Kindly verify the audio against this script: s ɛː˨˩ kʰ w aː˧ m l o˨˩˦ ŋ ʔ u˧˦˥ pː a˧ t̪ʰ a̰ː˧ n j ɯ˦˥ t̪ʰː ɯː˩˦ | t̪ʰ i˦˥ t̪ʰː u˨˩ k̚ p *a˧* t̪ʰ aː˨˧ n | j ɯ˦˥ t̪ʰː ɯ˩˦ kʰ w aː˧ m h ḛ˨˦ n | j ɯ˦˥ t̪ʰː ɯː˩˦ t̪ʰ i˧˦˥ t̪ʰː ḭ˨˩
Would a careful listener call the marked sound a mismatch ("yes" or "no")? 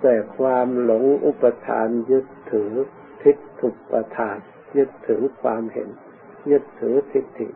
no